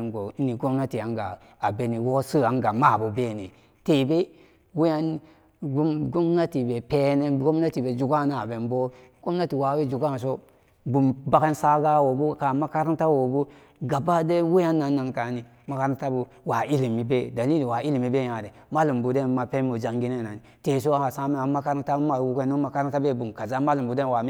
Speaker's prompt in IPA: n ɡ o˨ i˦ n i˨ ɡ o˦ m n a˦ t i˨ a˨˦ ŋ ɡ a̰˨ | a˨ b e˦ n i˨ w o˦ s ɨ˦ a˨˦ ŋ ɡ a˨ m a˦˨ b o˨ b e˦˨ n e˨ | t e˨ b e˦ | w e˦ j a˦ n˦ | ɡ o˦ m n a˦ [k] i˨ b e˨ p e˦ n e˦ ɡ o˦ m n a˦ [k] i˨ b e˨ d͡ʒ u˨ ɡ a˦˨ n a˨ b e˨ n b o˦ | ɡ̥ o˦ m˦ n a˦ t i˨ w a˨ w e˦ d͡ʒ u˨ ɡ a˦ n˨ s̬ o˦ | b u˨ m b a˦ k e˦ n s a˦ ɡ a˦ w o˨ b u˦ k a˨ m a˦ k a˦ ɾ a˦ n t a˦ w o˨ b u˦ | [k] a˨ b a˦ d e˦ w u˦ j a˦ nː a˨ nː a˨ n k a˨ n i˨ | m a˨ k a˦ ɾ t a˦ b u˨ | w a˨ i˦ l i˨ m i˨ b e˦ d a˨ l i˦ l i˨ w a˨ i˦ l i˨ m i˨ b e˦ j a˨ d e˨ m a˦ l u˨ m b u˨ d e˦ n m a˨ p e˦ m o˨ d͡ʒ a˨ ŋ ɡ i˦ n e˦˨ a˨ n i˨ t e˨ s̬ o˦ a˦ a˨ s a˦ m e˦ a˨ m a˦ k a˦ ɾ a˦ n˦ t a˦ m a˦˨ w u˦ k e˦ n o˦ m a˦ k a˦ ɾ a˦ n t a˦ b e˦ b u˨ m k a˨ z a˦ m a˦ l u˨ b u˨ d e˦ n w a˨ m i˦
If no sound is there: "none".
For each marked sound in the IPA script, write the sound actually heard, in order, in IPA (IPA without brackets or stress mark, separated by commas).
t, t, ɡ